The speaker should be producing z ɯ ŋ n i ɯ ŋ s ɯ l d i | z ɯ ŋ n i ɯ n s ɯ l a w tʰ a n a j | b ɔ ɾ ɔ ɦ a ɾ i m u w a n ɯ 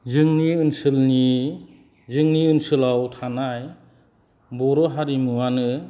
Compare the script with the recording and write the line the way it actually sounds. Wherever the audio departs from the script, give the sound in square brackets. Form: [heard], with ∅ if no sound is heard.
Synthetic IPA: z ɯ ŋ n i ɯ [n] s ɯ l [n] i | z ɯ ŋ n i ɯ n s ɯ l a w tʰ a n a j | b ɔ ɾ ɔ ɦ a ɾ i m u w a n ɯ

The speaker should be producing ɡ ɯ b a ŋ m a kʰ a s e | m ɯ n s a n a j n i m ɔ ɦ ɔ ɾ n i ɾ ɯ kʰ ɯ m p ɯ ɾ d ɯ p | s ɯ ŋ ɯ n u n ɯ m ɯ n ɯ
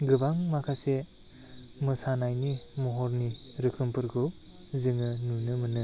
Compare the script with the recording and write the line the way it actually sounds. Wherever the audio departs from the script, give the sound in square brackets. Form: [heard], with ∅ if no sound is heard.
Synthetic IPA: ɡ ɯ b a ŋ m a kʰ a s e | m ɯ [∅] s a n a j n i m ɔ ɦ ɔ ɾ n i ɾ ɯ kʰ ɯ m p ɯ ɾ [ɡ] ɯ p | [z] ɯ ŋ ɯ n u n ɯ m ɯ n ɯ

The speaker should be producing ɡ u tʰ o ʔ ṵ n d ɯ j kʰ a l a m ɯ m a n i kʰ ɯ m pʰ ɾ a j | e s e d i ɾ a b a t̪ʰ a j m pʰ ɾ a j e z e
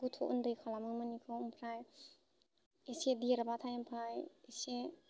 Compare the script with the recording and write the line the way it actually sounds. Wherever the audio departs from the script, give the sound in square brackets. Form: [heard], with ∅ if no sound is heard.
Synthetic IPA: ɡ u tʰ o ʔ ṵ n d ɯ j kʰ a l a m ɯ m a n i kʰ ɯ m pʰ ɾ a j | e s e d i ɾ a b a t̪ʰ a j m pʰ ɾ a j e [s] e

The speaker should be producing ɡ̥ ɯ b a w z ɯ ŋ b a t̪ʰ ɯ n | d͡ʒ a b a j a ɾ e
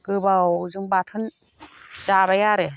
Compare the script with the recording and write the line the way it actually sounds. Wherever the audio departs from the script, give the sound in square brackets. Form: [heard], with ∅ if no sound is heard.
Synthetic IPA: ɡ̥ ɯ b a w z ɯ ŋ b a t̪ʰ ɯ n | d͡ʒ a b a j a ɾ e

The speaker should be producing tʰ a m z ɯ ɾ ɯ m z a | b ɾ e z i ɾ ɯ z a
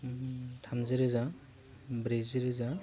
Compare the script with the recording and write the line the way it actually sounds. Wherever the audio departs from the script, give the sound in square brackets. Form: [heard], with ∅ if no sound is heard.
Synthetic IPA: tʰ a m z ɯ ɾ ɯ [∅] z a | b ɾ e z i ɾ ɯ z a

